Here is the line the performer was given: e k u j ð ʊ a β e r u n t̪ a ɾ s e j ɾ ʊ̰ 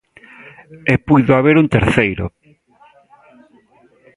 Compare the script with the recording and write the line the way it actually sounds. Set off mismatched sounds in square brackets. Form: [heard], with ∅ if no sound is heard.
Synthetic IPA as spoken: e [p] u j ð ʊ a β e [ɾ] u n t̪ [e] ɾ [θ] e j ɾ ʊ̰